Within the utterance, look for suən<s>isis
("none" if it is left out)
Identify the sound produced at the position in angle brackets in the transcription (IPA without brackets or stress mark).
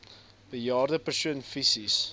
f